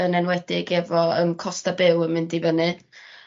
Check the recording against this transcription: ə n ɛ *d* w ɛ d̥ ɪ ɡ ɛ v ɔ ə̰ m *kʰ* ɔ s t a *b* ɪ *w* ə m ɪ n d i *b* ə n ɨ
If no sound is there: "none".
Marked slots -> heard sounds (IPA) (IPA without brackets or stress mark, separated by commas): n, kʰ, b, w, v